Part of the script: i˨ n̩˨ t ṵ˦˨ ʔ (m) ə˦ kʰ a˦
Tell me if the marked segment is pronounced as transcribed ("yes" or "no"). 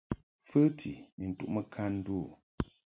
yes